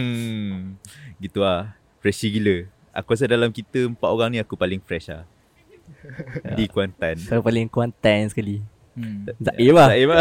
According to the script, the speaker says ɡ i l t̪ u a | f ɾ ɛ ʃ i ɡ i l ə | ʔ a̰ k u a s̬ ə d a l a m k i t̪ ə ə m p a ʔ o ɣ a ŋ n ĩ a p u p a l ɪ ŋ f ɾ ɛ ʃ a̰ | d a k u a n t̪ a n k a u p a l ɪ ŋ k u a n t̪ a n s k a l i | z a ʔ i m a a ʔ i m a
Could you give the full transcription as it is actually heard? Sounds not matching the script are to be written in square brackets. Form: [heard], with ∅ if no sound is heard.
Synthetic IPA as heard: ɡ i [∅] t̪ u a | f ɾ ɛ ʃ i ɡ i l ə | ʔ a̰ k u a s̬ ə d a l a m k i t̪ ə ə m p a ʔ o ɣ a ŋ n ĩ a [k] u p a l ɪ ŋ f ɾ ɛ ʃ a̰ | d [i] k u a n t̪ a n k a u p a l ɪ ŋ k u a n t̪ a n s k a l i | z a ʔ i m a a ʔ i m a